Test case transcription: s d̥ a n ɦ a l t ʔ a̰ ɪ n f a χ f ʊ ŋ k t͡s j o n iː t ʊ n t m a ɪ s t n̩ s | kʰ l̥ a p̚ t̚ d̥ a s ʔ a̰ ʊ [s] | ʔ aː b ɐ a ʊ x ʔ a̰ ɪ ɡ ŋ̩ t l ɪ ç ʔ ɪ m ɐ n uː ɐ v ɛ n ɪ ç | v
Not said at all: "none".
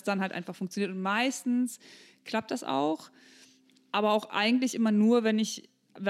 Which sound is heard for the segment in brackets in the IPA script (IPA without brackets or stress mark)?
x